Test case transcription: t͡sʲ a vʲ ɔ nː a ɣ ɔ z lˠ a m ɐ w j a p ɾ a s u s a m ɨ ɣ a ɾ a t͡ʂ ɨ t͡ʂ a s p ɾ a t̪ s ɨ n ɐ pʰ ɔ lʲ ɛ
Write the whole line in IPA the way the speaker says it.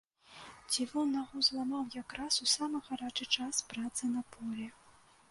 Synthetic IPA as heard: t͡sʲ i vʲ ɔ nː a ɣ ɔ z lˠ a m a w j a k ɾ a s u s a m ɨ ɣ a ɾ a t͡ʂ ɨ t͡ʂ a s p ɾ a t̪ s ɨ n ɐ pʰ ɔ lʲ ɛ